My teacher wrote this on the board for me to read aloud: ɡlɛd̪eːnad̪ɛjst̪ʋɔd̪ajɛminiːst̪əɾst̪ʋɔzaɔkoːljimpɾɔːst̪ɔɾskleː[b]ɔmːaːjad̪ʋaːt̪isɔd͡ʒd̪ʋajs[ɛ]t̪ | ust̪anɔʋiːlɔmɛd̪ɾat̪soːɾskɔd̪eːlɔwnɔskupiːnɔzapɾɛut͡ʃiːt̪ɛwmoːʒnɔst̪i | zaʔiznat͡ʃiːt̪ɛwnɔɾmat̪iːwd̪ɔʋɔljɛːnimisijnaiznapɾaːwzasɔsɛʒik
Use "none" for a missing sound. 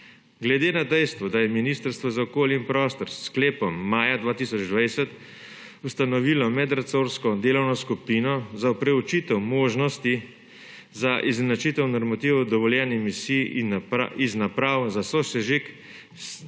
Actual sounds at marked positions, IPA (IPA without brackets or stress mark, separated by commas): p, ɛ